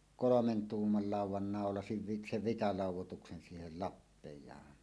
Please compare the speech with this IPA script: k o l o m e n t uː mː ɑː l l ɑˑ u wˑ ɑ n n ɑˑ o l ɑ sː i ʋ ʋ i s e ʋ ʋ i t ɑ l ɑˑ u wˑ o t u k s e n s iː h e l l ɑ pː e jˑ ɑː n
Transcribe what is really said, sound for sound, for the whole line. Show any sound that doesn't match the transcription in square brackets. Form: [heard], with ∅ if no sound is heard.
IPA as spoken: k o l o m e n t uː mː [ɑ] l l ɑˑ u wˑ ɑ n n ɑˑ o l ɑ [s] i ʋ ʋ i s e ʋ ʋ i t ɑ l ɑˑ u wˑ o t u k s e n s iː h e l l ɑ pː e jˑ ɑː n